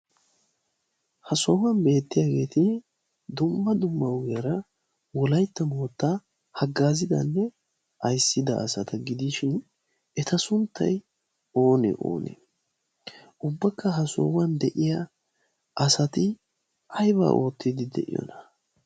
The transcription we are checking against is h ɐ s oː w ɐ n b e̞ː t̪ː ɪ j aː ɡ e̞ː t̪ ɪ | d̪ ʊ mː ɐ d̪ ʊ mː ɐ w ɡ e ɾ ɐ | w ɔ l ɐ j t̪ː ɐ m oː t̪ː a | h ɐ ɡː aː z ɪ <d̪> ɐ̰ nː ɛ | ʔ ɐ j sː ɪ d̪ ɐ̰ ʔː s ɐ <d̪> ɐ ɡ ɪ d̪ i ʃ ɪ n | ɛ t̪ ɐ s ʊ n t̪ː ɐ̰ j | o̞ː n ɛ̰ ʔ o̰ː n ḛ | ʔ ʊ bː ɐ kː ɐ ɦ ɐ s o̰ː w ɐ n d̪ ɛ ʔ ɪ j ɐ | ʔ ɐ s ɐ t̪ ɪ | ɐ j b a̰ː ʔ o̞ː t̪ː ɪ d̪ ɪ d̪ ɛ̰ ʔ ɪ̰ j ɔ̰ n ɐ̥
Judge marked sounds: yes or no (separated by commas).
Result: yes, no